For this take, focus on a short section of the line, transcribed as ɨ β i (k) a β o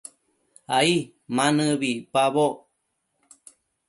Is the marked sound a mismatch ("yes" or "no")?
yes